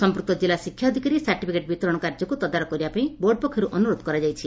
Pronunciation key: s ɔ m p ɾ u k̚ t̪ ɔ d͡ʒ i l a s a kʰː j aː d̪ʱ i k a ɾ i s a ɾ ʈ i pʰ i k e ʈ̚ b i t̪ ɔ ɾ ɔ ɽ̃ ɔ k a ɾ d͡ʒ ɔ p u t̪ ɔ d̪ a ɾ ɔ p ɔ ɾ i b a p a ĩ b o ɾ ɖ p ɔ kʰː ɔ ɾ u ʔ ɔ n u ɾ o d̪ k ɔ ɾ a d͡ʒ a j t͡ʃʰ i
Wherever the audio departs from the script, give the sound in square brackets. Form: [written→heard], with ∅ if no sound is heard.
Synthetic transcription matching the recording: s ɔ m p ɾ u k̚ t̪ ɔ d͡ʒ i l a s [a→i] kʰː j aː d̪ʱ i k a ɾ i s a ɾ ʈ i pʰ i k e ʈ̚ b i t̪ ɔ ɾ ɔ ɽ̃ ɔ k a ɾ d͡ʒ ɔ [p→k] u t̪ ɔ d̪ a ɾ ɔ [p→k] ɔ ɾ i b a p a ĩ b o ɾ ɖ p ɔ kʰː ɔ ɾ u ʔ ɔ n u ɾ o d̪ k ɔ ɾ a d͡ʒ a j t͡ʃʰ i